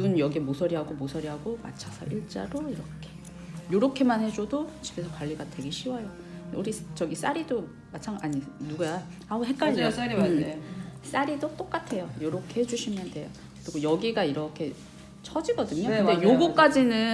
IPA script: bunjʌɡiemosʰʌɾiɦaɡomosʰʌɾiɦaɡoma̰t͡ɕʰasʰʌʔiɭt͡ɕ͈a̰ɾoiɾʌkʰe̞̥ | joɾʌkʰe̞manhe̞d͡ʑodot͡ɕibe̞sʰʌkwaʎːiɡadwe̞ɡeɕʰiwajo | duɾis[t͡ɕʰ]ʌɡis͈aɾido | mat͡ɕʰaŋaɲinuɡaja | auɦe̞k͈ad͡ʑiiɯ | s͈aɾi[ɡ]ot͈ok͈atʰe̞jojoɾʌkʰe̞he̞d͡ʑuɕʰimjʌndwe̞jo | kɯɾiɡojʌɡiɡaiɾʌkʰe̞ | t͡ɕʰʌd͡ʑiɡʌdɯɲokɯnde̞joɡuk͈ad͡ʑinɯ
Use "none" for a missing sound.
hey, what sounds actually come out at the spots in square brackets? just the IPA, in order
t͡ɕ, d

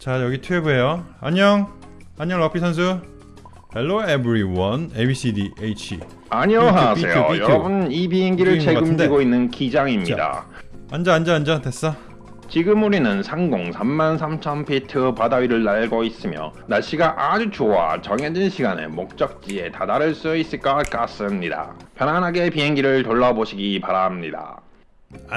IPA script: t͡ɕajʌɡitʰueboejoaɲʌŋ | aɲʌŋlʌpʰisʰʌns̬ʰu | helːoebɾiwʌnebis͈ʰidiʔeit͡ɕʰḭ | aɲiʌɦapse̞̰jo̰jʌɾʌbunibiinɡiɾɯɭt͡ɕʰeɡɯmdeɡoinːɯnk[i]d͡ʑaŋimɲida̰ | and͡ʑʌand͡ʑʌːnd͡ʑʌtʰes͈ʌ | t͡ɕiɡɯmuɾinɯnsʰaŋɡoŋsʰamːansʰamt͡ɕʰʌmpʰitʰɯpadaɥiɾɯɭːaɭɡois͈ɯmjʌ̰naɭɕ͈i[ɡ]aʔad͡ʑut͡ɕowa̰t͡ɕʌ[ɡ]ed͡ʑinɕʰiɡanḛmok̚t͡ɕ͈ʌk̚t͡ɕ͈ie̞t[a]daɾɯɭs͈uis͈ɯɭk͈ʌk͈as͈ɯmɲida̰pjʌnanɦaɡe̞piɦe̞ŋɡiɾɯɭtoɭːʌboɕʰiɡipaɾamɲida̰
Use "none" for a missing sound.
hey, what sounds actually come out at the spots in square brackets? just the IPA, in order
i, ɡ, ŋ, a

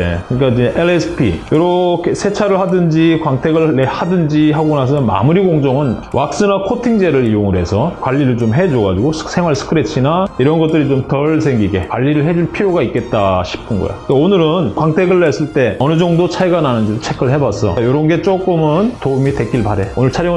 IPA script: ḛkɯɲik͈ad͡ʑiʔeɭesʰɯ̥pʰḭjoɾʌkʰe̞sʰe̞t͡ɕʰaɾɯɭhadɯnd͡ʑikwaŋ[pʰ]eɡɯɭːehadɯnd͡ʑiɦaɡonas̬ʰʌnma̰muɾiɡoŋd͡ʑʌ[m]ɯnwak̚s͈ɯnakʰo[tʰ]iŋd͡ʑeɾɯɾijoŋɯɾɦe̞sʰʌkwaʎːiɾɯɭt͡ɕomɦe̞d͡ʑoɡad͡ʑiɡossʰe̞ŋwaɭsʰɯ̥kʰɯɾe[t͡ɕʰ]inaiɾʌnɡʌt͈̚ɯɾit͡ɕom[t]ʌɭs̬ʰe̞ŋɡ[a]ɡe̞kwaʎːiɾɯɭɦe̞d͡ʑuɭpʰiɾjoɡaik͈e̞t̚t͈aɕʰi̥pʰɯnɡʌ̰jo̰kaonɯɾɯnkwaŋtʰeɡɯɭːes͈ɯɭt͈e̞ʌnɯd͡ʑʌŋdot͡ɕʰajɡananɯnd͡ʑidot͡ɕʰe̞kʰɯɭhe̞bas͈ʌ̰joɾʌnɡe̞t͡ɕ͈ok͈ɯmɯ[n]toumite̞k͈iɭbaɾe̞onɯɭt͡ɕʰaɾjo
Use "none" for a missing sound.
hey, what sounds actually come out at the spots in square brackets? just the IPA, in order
tʰ, ŋ, tʰ, t͡ɕʰ, t, i, n

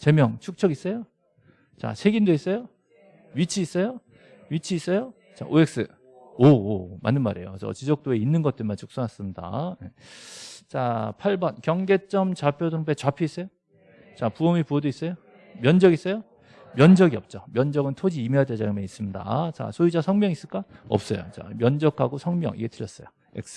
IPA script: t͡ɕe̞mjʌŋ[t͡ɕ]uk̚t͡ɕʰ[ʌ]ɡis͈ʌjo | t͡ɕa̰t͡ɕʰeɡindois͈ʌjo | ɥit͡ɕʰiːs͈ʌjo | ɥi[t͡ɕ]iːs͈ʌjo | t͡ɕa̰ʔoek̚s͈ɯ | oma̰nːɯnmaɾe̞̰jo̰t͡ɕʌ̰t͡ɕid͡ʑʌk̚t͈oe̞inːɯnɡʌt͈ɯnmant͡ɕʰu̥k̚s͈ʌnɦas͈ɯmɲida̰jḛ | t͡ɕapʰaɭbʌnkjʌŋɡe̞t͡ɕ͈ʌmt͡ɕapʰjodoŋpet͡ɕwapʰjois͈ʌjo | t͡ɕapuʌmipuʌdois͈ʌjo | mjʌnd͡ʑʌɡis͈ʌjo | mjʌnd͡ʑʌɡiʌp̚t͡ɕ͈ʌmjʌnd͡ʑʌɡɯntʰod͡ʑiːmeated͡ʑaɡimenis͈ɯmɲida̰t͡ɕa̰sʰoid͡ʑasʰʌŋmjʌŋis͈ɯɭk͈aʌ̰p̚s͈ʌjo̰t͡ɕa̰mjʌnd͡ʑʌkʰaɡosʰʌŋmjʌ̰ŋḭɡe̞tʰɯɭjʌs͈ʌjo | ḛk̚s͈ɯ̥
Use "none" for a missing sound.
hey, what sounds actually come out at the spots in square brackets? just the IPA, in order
t͡ɕʰ, ʌ, t͡ɕʰ

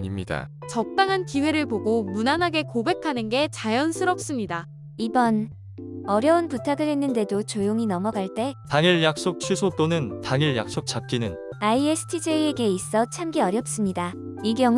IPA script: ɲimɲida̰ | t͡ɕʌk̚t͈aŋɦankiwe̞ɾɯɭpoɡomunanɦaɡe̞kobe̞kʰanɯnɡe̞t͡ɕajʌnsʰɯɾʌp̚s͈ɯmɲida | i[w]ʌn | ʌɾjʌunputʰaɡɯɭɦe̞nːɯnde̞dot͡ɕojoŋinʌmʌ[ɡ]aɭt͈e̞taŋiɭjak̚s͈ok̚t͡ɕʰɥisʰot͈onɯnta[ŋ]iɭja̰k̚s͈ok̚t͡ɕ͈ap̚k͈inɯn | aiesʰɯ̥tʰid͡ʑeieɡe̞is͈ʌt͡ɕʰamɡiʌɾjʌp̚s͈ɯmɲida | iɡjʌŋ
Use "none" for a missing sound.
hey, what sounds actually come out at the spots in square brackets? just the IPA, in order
b, ɡ, ŋ

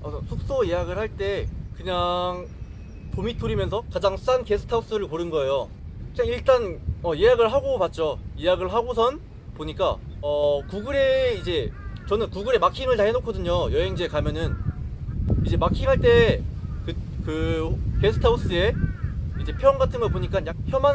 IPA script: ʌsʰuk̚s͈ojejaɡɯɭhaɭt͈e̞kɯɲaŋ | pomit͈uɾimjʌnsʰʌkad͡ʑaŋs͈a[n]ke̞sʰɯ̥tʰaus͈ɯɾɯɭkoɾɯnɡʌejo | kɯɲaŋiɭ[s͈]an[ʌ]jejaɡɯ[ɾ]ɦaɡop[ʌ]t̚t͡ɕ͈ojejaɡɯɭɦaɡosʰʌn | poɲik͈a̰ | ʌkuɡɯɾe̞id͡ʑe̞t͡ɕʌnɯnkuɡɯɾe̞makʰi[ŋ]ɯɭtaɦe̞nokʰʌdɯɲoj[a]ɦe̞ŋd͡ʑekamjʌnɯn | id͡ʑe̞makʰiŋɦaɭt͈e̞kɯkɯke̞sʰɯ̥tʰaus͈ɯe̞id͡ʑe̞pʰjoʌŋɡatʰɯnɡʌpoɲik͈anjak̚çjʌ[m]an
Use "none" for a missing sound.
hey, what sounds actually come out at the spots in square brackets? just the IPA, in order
n, t͈, ʌ, ɭ, a, ŋ, ʌ, m

